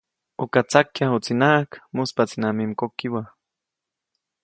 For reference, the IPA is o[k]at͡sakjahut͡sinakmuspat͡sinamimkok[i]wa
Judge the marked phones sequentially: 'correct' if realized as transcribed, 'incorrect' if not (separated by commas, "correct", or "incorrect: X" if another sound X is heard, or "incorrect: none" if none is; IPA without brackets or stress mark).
correct, correct